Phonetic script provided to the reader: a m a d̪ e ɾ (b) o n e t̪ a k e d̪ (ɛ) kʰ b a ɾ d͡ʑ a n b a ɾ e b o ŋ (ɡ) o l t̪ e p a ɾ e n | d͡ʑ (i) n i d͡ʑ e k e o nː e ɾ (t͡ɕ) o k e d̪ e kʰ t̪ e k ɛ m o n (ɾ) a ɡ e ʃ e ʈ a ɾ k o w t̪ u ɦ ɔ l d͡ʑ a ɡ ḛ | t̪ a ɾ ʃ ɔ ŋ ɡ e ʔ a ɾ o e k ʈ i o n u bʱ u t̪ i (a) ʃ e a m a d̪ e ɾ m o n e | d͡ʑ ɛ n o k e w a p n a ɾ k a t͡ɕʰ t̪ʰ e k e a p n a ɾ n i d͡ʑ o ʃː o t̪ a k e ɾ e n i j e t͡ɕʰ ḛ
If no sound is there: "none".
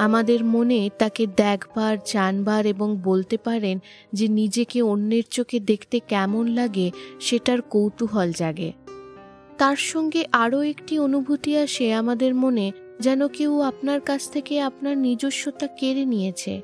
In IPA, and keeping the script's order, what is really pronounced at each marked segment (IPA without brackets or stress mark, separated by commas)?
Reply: m, ɛ, b, e, t͡ɕ, l, a